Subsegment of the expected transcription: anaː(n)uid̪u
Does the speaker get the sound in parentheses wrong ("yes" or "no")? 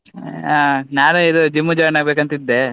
no